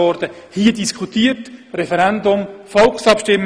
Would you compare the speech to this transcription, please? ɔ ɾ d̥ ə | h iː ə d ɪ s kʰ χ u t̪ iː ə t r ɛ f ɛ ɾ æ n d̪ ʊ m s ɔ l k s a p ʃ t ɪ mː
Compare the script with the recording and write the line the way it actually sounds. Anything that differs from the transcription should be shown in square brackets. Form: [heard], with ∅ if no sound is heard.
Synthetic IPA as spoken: ɔ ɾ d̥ ə | h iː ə d [i] s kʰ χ u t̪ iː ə t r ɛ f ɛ ɾ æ n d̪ ʊ m [f] ɔ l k s [ɑ] p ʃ t ɪ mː